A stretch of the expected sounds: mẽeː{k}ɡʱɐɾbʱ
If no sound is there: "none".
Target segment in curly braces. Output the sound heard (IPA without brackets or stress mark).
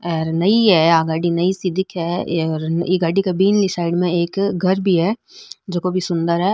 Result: k